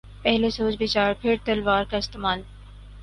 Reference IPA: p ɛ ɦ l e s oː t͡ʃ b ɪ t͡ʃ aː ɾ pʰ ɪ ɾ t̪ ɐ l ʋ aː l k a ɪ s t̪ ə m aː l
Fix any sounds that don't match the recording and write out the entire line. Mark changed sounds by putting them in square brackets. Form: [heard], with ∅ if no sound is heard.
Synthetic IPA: p ɛ ɦ l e s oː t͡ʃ b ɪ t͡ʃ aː ɾ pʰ ɪ ɾ t̪ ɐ l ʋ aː [ɾ] k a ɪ s t̪ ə m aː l